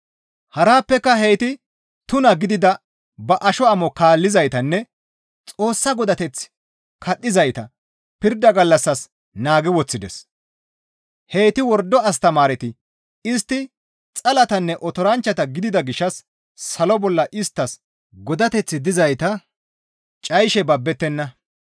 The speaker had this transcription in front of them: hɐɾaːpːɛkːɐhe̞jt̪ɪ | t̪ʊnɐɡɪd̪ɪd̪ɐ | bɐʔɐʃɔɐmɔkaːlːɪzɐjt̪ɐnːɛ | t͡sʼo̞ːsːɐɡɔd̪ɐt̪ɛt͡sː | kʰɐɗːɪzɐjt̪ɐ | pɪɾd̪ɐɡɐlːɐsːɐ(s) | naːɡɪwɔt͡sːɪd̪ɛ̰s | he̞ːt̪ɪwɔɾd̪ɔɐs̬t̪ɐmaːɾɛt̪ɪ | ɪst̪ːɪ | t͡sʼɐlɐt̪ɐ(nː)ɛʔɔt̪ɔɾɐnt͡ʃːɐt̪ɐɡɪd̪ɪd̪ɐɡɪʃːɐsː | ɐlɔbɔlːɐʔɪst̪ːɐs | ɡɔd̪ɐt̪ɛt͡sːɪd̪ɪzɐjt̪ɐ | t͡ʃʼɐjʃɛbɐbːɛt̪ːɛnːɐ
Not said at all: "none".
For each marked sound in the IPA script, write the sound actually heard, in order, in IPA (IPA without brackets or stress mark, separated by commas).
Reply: s, nː